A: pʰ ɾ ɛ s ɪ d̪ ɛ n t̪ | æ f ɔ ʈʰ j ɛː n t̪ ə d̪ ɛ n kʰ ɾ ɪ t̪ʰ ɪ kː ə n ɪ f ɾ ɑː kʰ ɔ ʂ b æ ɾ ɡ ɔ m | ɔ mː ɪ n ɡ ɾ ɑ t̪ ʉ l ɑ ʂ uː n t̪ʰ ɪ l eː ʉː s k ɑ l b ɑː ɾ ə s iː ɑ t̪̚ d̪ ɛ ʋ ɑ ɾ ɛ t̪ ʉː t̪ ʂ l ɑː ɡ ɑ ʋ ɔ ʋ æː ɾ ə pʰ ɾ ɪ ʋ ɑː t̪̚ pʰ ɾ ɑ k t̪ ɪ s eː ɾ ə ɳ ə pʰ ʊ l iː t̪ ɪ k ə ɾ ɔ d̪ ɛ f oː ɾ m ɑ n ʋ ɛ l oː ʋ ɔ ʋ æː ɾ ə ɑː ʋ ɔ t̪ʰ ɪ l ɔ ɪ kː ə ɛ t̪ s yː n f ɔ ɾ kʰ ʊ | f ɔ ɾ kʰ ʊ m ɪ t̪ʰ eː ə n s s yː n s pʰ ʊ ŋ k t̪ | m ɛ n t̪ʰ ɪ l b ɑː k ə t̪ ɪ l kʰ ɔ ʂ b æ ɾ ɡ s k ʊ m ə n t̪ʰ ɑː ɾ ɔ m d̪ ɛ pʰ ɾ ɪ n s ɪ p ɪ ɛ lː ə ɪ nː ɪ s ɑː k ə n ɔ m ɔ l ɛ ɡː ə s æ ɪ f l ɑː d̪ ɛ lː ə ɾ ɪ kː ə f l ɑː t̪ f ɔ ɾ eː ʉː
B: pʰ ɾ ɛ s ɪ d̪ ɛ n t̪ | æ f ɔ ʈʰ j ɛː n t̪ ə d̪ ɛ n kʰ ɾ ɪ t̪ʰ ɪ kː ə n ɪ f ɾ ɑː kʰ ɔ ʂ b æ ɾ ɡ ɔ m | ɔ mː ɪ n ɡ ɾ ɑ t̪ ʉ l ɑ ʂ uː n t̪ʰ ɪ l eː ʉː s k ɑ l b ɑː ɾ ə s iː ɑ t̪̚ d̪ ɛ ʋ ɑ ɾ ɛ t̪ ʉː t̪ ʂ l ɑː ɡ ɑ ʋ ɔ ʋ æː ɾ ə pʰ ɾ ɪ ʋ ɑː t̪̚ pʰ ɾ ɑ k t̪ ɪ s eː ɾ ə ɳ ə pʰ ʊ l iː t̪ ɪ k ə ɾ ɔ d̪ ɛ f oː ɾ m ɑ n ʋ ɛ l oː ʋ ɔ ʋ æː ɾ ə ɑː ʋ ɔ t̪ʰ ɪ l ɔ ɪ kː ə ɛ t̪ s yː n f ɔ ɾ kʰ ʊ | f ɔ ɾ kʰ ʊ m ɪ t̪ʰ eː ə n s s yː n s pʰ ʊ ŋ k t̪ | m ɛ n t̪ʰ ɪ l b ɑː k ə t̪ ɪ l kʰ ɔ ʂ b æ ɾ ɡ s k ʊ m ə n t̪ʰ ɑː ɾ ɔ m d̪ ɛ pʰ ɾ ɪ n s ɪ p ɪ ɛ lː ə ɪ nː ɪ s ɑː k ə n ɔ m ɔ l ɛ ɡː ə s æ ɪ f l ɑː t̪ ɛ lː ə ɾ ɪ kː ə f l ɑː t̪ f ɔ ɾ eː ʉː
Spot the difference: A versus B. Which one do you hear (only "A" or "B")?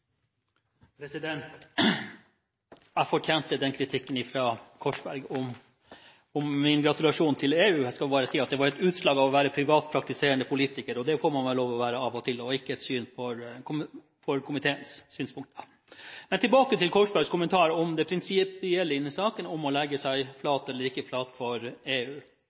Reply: B